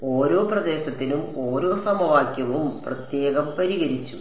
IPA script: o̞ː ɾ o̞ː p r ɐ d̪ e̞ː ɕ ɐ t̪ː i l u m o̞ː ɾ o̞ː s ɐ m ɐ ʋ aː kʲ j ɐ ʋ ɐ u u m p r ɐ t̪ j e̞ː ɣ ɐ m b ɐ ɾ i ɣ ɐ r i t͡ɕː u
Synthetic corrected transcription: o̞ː ɾ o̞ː p r ɐ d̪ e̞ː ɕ ɐ t̪ː i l u m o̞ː ɾ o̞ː s ɐ m ɐ ʋ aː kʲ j ɐ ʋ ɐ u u m p r ɐ t̪ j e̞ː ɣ ɐ m p ɐ ɾ i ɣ ɐ ɾ i t͡ɕː u

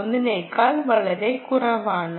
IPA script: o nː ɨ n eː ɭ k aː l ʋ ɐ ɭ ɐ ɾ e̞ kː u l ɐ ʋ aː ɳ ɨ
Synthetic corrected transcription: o nː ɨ n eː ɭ k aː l ʋ ɐ ɭ ɐ ɾ e̞ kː u r ɐ ʋ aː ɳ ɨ

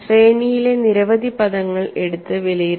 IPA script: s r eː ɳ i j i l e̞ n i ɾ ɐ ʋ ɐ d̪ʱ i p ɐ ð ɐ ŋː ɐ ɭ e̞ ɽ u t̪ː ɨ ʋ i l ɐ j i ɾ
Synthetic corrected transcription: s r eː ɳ i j i l e̞ n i ɾ ɐ ʋ ɐ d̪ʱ i p ɐ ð ɐ ŋː ɐ ɭ e̞ ɽ u t̪ː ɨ ʋ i l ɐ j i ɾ

